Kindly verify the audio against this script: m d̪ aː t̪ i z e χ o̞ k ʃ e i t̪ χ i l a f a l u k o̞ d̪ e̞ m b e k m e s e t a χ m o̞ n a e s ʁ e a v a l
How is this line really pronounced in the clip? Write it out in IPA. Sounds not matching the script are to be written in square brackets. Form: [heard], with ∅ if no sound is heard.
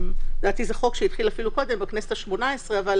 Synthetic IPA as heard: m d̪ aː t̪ i z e χ o̞ k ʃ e i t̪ χ i l a f [i] l u k o̞ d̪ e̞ m b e k [n] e s e t a [ʃ] m o̞ n a e s ʁ e a v a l

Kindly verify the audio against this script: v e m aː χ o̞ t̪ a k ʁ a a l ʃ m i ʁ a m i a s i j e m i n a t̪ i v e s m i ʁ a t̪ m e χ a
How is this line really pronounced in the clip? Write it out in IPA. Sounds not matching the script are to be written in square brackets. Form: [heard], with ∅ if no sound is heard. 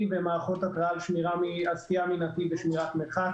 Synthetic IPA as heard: v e m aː χ o̞ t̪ a k ʁ a a l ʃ m i ʁ a m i a s i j [a] m i n a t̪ i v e [ʃ] m i ʁ a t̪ m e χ a

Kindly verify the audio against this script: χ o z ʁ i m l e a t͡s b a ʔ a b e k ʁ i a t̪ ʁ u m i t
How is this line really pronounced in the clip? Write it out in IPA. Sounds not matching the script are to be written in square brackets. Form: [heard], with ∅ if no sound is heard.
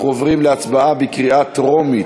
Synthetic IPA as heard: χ o [v] ʁ i m l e a t͡s b a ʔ a b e k ʁ i a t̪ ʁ [o] m i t

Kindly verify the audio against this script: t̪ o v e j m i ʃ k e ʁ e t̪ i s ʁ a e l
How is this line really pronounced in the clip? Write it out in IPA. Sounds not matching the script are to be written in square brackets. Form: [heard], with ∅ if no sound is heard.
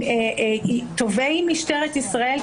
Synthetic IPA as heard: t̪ o v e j m i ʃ [t] e ʁ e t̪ i s ʁ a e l

